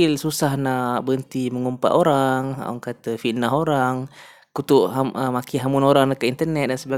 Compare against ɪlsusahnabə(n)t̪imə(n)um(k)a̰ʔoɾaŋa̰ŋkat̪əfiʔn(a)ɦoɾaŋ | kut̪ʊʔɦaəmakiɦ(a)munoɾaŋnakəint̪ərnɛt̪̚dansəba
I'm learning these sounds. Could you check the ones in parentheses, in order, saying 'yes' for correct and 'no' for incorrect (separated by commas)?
yes, no, no, yes, yes